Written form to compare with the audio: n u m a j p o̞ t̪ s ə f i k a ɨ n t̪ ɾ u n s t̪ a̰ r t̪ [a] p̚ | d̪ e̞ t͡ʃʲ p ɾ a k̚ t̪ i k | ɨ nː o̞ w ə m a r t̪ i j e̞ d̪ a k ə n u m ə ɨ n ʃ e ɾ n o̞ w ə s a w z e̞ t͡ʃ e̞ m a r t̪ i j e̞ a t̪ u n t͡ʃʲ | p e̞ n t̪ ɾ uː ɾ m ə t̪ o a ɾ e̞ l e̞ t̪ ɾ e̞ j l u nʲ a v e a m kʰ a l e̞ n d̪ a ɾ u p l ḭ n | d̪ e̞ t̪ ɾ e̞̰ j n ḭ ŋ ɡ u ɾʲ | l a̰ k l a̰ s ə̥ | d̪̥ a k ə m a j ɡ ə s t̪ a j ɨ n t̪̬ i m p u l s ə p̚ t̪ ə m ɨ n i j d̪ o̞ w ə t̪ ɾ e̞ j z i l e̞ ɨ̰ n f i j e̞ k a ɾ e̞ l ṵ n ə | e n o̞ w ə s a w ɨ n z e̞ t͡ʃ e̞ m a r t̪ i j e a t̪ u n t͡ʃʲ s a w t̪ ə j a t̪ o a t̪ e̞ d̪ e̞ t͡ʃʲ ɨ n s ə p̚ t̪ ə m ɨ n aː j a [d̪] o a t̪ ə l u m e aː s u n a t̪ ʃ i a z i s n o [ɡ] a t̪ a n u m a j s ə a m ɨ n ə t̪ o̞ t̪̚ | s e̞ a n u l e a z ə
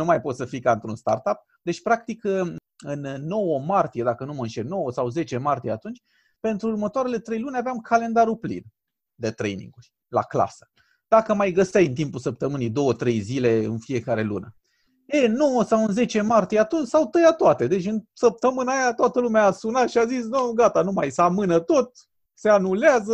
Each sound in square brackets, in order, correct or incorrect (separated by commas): correct, incorrect, correct